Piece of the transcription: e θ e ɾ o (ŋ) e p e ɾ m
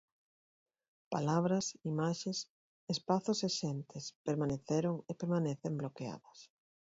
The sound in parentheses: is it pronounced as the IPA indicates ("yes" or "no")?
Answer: yes